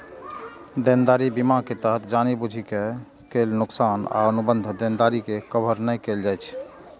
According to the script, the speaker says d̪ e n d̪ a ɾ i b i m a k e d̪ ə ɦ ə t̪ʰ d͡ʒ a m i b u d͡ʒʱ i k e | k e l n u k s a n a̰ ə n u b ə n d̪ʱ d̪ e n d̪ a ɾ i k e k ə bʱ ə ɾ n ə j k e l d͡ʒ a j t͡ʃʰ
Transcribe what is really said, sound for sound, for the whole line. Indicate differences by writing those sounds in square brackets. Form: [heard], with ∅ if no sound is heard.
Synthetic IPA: d̪ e n d̪ a ɾ i b i m a k e [t̪] ə ɦ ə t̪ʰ d͡ʒ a [n] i b u d͡ʒʱ i k e | k e l n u k s a n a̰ ə n u b ə n d̪ʱ d̪ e n d̪ a ɾ i k e k ə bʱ ə ɾ n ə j k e l d͡ʒ a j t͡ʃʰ